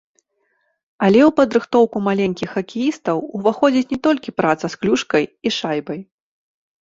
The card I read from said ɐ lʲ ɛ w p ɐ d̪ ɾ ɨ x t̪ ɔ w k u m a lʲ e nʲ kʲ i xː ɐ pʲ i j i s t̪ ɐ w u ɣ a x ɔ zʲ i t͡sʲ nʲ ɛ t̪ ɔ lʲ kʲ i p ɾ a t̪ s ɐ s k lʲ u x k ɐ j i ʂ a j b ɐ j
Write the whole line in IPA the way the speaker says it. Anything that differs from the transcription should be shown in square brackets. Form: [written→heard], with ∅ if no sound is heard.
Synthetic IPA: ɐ lʲ ɛ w p ɐ d̪ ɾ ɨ x t̪ ɔ w k u m a lʲ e nʲ kʲ i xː ɐ [pʲ→kʲ] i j i s t̪ ɐ w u [ɣ→v] a x ɔ [zʲ→d͡zʲ] i t͡sʲ nʲ ɛ t̪ ɔ lʲ kʲ i p ɾ a t̪ s ɐ s k lʲ u [x→ʂ] k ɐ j i ʂ a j b ɐ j